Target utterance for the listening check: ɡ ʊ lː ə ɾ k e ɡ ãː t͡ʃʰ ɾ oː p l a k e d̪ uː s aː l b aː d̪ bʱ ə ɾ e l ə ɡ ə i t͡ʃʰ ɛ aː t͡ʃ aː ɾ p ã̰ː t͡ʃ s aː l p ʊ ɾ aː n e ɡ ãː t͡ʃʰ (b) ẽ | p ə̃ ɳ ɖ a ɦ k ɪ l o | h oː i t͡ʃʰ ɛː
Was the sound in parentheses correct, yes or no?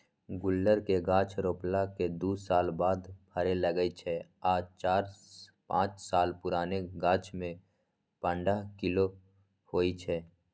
no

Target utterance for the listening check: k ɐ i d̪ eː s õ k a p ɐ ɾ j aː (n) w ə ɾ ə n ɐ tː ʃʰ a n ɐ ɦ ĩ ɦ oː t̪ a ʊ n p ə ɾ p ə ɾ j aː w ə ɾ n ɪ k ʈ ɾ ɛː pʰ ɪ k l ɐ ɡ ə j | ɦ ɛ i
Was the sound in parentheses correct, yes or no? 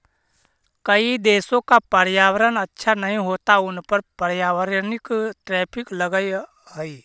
no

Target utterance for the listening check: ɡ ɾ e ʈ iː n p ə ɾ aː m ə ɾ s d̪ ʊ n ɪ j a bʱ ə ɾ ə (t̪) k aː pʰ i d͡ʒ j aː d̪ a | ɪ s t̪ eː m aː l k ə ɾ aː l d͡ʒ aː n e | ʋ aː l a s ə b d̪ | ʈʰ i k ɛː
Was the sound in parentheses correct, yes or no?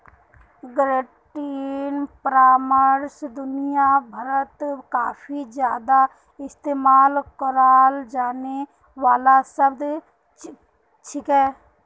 yes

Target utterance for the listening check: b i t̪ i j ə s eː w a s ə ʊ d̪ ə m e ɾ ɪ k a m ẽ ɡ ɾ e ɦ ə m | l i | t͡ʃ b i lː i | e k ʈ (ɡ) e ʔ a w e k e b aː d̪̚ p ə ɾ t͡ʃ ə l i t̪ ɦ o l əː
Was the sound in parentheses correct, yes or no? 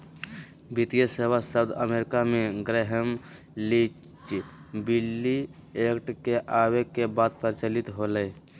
no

